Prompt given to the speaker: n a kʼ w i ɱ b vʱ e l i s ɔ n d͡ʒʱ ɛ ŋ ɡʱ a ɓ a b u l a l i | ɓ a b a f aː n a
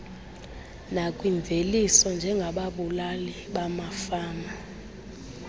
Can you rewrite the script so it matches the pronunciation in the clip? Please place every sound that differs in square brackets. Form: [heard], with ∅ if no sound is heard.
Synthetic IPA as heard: n a kʼ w i ɱ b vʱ e l i s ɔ n d͡ʒʱ ɛ ŋ ɡʱ a ɓ a [ɓ] u l a l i | ɓ a [m] a f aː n a